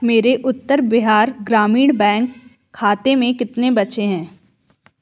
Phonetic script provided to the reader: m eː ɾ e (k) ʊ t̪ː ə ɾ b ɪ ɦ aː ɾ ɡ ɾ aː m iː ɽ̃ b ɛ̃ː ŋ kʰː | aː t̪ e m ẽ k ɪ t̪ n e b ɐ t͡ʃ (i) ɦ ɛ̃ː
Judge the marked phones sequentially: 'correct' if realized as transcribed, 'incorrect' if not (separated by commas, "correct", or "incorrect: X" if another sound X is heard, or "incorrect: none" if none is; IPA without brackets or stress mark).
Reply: incorrect: ʔ, incorrect: e